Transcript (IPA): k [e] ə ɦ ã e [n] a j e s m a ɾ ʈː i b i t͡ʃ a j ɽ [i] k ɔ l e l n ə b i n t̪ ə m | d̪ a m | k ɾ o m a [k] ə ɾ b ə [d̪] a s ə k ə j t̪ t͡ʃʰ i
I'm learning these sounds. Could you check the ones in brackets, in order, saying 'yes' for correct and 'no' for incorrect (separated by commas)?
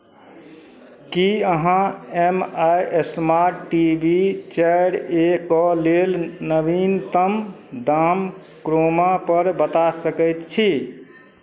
no, no, no, no, no